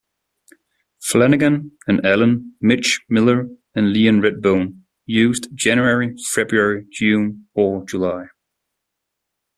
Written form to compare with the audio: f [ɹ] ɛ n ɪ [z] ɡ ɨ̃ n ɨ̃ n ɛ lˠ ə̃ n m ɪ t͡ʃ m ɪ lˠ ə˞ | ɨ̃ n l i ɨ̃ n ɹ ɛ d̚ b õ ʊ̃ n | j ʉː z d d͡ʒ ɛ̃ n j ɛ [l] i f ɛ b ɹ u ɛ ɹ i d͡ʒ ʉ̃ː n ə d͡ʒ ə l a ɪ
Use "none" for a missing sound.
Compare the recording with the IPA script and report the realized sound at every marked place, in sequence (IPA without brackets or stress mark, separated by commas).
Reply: l, none, ɹ